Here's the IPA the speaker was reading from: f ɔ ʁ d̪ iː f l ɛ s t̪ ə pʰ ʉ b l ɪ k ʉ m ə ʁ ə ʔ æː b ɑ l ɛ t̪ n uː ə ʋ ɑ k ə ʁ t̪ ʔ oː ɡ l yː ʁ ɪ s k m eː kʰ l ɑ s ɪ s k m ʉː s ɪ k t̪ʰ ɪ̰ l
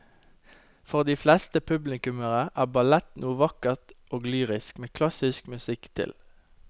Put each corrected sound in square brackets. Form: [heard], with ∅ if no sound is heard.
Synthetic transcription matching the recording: f ɔ ʁ d̪ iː f l ɛ s t̪ ə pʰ ʉ b l ɪ k ʉ m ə ʁ ə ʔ æː b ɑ l ɛ t̪ n uː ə ʋ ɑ k ə ʁ t̪ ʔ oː ɡ l yː ʁ ɪ s k m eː kʰ l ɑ s ɪ s k m [ʉ] s ɪ k t̪ʰ ɪ̰ l